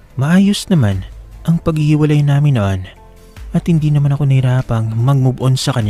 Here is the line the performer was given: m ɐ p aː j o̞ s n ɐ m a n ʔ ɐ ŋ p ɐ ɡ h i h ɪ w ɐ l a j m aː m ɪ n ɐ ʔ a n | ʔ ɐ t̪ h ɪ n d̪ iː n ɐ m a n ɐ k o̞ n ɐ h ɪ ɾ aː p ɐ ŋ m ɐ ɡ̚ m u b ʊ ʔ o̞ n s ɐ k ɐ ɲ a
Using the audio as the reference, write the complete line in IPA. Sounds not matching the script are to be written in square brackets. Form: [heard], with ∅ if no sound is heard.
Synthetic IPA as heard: m ɐ [ʔ] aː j o̞ s n ɐ m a n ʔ ɐ ŋ p ɐ ɡ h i h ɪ w ɐ l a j [n] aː m ɪ n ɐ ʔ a n | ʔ ɐ t̪ h ɪ n d̪ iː n ɐ m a n ɐ k o̞ n ɐ h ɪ ɾ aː p ɐ ŋ m ɐ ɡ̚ m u b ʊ ʔ o̞ n s ɐ k ɐ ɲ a